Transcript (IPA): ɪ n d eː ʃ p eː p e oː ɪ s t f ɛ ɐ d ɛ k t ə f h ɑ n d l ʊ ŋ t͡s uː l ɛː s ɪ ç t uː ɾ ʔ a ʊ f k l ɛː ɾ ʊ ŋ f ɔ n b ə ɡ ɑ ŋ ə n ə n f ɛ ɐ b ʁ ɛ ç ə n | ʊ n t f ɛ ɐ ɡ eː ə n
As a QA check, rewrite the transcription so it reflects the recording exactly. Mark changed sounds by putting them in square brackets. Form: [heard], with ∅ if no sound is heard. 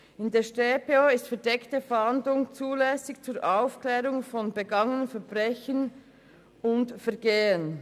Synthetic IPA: ɪ n d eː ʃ [t] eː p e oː ɪ s t f ɛ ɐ d ɛ k t ə f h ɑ n d l ʊ ŋ t͡s uː l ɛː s ɪ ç [t͡s] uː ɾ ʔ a ʊ f k l ɛː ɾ ʊ ŋ f ɔ n b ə ɡ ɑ ŋ ə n ə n f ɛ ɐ b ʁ ɛ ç ə n | ʊ n t f ɛ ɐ ɡ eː ə n

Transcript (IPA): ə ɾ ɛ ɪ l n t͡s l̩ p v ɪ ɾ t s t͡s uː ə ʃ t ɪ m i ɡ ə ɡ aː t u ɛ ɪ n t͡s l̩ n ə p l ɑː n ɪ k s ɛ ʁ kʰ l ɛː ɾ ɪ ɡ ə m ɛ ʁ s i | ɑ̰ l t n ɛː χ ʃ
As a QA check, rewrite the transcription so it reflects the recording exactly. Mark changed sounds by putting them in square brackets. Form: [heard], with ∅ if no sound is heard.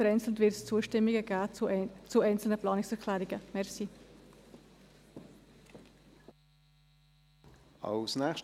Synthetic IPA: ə ɾ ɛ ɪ [∅] n t͡s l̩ [t] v ɪ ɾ t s t͡s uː ə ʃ t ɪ m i ɡ ə ɡ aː [t͡s] u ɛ ɪ n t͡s l̩ n ə p l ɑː n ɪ k s ɛ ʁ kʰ l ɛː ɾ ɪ ɡ ə m ɛ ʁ s i | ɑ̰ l [s] n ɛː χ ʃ

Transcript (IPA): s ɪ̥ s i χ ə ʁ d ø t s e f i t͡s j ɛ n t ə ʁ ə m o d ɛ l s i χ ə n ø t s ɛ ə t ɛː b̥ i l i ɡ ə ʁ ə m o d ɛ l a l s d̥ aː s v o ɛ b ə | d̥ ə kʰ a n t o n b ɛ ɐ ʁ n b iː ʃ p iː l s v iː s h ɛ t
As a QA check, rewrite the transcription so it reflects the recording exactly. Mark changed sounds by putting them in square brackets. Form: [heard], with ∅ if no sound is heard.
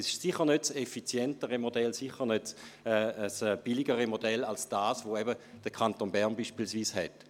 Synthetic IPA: s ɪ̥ s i χ ə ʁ [n] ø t s e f i t͡s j ɛ n t ə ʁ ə m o d ɛ l s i χ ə n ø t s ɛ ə [s] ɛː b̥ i l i ɡ ə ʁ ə m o d ɛ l a l s d̥ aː s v o ɛ b ə | d̥ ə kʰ a n t o n b ɛ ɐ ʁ n b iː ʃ p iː l s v iː s h ɛ t

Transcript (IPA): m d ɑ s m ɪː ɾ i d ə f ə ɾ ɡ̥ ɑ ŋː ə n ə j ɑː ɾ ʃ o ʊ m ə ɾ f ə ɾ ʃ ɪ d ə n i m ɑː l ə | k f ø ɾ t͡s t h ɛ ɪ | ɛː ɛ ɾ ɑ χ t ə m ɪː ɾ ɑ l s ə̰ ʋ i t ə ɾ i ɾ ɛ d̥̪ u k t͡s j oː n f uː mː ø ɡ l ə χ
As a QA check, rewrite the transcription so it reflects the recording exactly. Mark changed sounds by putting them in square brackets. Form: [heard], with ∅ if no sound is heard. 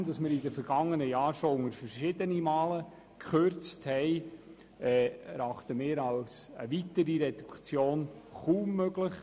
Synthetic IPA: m d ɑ s m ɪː ɾ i d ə f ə ɾ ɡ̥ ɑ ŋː ə n ə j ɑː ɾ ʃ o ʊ [ŋ] ə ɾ f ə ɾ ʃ ɪ d ə n i m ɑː l ə | k [χ] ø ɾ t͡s t h ɛ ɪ | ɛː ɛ ɾ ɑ χ t ə m ɪː ɾ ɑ l s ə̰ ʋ i t ə ɾ i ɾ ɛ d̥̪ u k t͡s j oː n [χ] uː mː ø ɡ l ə χ

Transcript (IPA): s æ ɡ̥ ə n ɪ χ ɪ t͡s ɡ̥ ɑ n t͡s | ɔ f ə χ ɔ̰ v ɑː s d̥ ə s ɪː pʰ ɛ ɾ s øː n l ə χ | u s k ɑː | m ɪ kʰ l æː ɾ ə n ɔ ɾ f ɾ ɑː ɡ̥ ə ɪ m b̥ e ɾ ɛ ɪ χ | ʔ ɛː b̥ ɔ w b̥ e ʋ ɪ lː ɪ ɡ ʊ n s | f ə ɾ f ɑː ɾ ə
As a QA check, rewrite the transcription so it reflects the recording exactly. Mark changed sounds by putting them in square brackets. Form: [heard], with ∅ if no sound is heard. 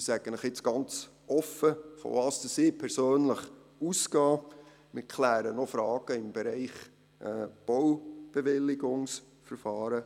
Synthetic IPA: s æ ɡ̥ ə n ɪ χ ɪ t͡s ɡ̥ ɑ n t͡s | ɔ f ə [f] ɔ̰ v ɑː s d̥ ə s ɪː pʰ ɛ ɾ s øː n l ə χ | u s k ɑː | m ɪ kʰ l æː ɾ ə n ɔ [∅] f ɾ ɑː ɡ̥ ə ɪ m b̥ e ɾ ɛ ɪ χ | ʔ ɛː b̥ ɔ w b̥ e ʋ ɪ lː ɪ ɡ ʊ [ŋ] s | f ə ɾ f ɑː ɾ ə

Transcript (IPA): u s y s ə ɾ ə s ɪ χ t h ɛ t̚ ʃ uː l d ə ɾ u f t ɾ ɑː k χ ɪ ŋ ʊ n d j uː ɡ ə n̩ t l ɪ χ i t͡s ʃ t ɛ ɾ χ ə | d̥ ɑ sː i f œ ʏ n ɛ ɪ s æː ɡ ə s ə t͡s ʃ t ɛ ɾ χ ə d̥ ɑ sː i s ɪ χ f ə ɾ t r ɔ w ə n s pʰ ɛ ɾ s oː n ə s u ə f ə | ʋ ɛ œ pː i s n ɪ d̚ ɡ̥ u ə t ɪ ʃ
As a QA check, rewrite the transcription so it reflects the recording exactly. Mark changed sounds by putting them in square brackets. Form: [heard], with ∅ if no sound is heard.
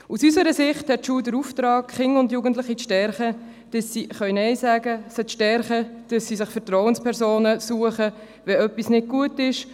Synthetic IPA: u s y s ə ɾ ə s ɪ χ t h ɛ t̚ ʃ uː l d ə ɾ u f t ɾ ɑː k χ ɪ ŋ ʊ n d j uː ɡ ə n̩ t l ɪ χ i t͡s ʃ t ɛ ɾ χ ə | d̥ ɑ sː i [χ] œ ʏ n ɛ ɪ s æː ɡ ə s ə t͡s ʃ t ɛ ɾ χ ə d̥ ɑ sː i s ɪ χ f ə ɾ t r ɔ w ə n s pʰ ɛ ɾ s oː n ə s u ə [χ] ə | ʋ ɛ œ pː i s n ɪ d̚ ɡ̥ u ə t ɪ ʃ

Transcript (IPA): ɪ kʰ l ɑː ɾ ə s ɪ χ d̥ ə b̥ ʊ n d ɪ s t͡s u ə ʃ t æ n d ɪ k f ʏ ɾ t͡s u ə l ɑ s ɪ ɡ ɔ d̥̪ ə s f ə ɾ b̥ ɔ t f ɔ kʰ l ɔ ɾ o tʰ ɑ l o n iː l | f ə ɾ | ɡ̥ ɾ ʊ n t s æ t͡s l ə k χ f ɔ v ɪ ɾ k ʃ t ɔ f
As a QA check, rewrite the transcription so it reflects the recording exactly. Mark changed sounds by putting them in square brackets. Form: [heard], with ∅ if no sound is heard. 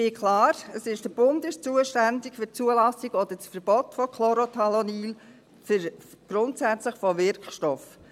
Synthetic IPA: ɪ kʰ l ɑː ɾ ə s ɪ [ʃ] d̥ ə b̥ ʊ n d ɪ [ʃ] t͡s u ə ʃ t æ n d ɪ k f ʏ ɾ t͡s u ə l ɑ s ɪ ɡ ɔ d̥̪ ə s f ə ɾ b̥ ɔ t f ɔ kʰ l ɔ ɾ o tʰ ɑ l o n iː l | f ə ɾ | ɡ̥ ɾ ʊ n t s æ t͡s l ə [∅] χ f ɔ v ɪ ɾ k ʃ t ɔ f

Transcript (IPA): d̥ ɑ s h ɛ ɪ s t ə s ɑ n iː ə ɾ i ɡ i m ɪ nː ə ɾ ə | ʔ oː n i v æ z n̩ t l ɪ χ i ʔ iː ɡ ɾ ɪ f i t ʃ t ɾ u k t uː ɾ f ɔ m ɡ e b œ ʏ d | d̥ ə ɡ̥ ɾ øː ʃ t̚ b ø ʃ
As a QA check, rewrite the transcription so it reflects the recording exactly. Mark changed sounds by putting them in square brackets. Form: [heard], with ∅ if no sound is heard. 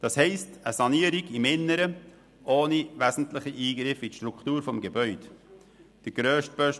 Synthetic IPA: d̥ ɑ s h ɛ ɪ s t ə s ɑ n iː ə ɾ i ɡ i m ɪ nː ə ɾ ə | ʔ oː n i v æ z n̩ t l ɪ χ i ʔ iː ɡ ɾ ɪ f i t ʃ t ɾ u k t uː ɾ f ɔ m ɡ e b œ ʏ d | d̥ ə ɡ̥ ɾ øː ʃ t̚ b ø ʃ

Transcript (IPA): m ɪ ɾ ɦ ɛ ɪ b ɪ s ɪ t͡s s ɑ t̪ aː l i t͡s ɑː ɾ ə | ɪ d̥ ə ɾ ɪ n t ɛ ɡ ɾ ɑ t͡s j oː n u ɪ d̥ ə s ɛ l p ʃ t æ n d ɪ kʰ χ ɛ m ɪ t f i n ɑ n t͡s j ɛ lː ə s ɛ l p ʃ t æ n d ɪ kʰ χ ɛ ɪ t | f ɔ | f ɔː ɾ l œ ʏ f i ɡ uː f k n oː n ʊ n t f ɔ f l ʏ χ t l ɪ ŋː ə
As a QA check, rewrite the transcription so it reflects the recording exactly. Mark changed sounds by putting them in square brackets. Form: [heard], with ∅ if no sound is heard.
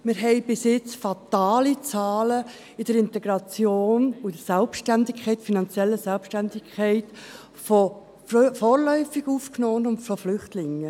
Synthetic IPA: m ɪ ɾ ɦ ɛ ɪ b ɪ s ɪ t͡s [f] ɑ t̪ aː l i t͡s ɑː [l] ə | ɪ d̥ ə ɾ ɪ n t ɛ ɡ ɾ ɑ t͡s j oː n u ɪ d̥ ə s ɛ l p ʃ t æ n d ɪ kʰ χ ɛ [∅] ɪ t f i n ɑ n t͡s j ɛ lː ə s ɛ l p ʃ t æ n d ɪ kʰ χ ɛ ɪ t | f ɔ | f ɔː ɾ l œ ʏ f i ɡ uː f k n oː n ʊ n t f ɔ f l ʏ χ t l ɪ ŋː ə

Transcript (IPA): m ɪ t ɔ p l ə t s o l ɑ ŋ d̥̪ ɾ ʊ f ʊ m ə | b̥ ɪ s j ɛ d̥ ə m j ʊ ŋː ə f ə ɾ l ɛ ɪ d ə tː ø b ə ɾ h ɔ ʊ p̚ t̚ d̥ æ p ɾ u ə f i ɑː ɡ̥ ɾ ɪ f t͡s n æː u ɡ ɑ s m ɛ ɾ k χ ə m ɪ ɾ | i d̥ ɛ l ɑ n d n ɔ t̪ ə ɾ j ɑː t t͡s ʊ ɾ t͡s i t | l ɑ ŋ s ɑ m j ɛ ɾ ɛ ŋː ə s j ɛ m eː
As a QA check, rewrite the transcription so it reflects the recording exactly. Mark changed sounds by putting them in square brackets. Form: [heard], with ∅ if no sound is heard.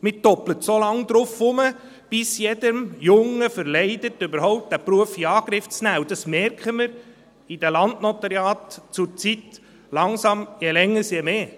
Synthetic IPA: m ɪ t ɔ p l ə t s o l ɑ ŋ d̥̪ ɾ ʊ f ʊ m ə | b̥ ɪ s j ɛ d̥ ə m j ʊ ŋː ə f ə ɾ l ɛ ɪ d ə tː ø b ə ɾ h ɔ ʊ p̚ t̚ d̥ æ p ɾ u ə f i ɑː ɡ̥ ɾ ɪ f t͡s n æː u [d] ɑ s m ɛ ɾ k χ ə m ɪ ɾ | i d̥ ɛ l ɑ n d n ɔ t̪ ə ɾ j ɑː t t͡s ʊ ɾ t͡s i t | l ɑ ŋ s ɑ m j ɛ [l] ɛ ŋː ə s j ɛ m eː

